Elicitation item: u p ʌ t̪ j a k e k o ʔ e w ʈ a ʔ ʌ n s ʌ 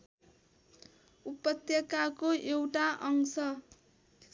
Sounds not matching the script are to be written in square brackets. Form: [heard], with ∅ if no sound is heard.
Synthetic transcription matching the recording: u p ʌ t̪ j [ʌ] k [a] k o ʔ e w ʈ a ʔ ʌ [ŋ] s ʌ